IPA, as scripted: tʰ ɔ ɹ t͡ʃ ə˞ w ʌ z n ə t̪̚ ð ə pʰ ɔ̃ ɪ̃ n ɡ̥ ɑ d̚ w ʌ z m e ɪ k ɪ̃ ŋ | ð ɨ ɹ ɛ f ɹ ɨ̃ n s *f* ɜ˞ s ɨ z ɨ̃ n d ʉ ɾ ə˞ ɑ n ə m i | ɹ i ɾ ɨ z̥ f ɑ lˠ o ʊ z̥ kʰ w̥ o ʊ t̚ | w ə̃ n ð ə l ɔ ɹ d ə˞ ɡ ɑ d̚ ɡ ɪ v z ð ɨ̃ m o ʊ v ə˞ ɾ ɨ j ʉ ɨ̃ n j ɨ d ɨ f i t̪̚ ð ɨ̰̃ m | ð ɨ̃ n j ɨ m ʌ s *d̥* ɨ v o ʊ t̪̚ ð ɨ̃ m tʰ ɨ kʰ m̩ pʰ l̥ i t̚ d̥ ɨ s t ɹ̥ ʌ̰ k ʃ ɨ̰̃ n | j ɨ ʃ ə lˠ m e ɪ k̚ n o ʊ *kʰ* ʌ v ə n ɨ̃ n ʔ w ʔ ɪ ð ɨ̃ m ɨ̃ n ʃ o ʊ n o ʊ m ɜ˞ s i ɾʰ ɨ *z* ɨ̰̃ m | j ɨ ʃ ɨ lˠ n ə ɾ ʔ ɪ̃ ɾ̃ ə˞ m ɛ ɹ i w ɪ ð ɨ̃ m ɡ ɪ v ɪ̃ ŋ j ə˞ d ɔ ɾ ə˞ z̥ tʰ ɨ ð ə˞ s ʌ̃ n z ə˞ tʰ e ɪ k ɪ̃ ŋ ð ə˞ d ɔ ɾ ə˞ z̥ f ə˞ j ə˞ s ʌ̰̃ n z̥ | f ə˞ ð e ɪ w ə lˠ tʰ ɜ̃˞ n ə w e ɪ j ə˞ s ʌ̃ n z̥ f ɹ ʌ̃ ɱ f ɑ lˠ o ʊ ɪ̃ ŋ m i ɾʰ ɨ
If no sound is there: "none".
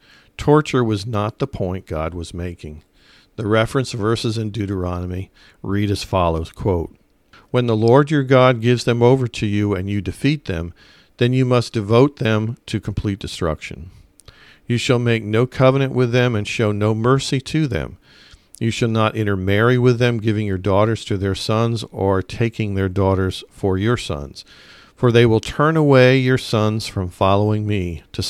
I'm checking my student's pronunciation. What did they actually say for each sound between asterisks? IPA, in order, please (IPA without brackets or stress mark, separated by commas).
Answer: v, d̥, kʰ, ð